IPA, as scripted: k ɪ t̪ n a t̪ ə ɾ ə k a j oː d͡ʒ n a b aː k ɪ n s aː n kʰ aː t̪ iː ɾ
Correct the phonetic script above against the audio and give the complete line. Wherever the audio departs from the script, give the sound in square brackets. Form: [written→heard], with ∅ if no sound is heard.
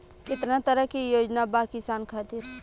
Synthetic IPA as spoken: k ɪ t̪ n a t̪ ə ɾ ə k [a→i] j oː d͡ʒ n a b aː k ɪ [n→∅] s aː n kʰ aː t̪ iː ɾ